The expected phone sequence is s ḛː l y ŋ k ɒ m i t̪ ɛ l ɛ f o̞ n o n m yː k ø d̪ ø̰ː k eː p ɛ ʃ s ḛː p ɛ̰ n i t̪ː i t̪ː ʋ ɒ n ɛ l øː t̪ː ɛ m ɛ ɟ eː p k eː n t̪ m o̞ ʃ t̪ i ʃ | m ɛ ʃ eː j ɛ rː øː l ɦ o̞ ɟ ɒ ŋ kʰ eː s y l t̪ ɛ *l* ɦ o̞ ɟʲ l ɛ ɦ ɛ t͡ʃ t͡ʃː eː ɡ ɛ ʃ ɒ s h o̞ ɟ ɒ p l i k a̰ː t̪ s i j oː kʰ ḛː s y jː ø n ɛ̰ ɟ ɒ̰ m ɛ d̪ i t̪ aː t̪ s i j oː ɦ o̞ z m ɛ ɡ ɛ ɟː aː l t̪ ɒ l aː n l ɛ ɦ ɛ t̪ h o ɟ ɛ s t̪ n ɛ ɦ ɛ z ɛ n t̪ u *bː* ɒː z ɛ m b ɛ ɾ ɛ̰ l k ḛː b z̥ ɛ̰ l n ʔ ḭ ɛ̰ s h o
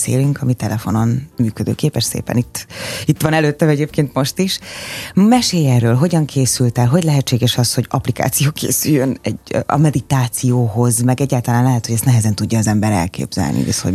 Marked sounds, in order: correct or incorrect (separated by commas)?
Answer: correct, incorrect